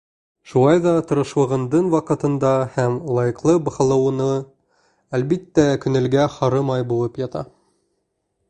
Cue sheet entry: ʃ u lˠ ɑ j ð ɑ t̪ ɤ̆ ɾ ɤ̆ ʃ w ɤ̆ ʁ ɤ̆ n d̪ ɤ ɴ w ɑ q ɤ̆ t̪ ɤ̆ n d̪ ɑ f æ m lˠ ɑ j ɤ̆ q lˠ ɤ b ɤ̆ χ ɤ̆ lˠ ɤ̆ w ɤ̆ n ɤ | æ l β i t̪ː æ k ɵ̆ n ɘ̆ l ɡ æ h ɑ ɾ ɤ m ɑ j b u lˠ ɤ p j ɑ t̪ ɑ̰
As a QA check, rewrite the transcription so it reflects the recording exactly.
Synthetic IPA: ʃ u lˠ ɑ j ð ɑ t̪ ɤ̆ ɾ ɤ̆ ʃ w ɤ̆ ʁ ɤ̆ n d̪ ɤ ɴ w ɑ q ɤ̆ t̪ ɤ̆ n d̪ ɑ h æ m lˠ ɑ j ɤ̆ q lˠ ɤ b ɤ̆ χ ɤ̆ lˠ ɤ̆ w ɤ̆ n ɤ | æ l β i t̪ː æ k ɵ̆ n ɘ̆ l ɡ æ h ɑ ɾ ɤ m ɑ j b u lˠ ɤ p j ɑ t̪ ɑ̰